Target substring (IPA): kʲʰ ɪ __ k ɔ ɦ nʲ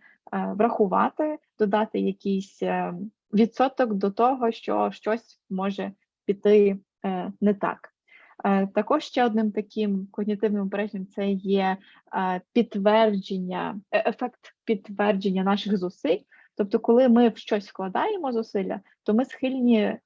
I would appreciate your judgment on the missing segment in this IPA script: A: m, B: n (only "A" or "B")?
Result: A